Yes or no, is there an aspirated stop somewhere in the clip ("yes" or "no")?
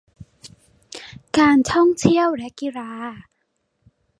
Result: yes